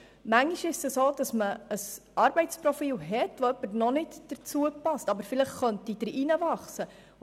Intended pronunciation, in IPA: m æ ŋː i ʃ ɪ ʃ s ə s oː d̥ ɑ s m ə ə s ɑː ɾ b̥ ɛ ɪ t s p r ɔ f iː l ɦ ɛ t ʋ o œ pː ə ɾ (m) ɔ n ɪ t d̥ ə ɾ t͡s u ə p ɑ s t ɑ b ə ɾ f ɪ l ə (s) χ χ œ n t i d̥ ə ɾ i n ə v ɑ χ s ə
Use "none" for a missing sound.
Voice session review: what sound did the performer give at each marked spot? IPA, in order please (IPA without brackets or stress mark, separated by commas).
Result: n, none